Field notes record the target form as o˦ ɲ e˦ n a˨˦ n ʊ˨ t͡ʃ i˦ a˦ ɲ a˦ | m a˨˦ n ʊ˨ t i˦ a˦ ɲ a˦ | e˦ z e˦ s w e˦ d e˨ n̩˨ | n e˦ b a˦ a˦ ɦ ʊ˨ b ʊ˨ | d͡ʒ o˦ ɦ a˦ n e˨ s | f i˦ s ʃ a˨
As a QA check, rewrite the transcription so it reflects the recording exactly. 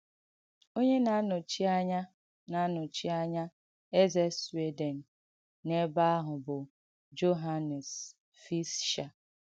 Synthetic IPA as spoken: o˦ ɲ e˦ n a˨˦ n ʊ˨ t͡ʃ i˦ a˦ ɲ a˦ | n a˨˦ n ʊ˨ t͡ʃ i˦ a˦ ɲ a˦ | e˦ z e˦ s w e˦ d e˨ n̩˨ | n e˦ b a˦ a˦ ɦ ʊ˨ b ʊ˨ | d͡ʒ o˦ ɦ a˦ n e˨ s | f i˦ s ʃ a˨